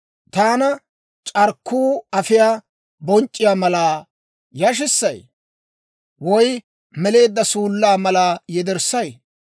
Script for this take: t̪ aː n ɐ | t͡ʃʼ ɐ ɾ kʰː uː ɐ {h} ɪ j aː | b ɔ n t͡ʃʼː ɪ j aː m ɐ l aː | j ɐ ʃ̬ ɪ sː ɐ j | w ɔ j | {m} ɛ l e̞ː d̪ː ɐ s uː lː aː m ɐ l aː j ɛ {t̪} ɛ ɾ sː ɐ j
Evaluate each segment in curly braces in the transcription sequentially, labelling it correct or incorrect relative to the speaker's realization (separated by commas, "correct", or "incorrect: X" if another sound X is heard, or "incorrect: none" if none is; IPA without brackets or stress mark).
incorrect: f, correct, incorrect: d̪